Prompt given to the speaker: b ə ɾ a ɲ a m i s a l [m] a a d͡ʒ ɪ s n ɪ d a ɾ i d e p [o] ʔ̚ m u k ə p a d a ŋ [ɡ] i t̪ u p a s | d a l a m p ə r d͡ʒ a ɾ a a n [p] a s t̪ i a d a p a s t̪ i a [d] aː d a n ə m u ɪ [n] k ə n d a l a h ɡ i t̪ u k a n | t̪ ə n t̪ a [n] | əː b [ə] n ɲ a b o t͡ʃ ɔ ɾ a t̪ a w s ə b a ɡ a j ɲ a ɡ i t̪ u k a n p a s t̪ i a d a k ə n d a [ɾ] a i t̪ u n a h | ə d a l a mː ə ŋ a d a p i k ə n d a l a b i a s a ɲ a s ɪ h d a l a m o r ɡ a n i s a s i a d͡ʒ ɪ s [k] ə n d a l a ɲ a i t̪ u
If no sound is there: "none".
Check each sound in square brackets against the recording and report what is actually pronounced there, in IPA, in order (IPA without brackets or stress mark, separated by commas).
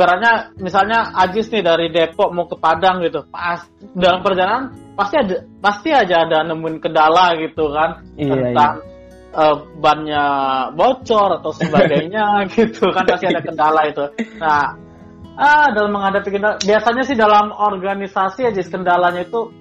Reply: ɲ, ɔ, ɡ, p, d͡ʒ, n, ŋ, a, l, k